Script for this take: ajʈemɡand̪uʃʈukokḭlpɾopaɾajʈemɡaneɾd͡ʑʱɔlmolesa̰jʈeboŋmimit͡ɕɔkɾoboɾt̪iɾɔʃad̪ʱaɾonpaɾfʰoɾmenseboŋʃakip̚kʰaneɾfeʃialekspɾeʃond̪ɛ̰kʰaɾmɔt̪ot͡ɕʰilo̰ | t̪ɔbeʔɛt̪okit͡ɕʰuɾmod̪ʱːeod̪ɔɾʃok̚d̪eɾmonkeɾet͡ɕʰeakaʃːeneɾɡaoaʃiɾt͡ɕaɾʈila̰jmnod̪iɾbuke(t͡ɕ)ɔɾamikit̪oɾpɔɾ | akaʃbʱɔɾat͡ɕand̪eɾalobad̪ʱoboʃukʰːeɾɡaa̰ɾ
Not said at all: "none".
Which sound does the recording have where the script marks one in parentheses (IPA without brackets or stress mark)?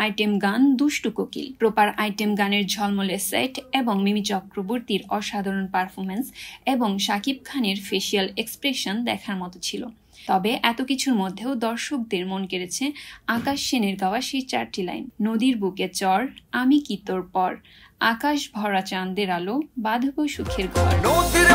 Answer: t͡ɕ